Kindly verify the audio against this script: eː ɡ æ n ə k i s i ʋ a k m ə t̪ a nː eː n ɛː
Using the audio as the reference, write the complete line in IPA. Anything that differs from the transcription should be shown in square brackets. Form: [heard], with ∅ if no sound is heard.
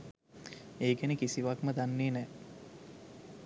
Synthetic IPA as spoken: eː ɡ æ n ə k i s i ʋ a k m ə [d̪] a nː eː n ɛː